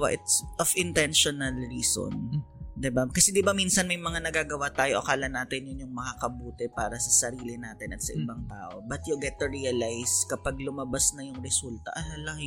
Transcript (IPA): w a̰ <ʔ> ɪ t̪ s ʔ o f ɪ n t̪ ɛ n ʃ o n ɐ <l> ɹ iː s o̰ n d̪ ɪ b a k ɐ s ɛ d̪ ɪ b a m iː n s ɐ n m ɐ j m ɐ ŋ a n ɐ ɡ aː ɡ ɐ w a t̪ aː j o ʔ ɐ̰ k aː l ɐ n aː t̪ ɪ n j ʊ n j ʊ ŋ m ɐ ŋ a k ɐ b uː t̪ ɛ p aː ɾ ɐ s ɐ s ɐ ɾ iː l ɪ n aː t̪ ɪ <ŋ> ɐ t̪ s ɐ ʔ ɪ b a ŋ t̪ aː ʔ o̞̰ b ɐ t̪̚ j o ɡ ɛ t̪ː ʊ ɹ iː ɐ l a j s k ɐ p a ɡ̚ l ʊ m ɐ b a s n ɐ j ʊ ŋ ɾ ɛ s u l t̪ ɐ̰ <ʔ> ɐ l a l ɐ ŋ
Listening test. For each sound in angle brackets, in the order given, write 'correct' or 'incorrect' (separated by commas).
correct, correct, incorrect, correct